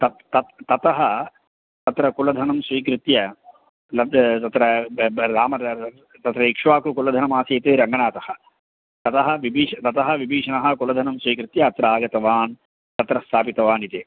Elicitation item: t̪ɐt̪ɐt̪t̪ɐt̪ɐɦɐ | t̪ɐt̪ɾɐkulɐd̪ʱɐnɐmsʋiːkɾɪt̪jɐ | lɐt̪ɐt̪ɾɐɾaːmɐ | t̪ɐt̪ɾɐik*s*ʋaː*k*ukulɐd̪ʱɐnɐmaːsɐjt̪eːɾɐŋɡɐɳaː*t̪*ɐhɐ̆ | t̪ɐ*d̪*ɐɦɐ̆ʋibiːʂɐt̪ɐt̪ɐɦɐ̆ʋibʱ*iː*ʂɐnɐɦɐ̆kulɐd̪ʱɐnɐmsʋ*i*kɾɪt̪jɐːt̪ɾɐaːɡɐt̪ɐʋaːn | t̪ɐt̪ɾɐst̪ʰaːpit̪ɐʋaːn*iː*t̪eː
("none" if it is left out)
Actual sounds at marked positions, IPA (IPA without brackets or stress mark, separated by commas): ʂ, k, t̪, t̪, iː, iː, i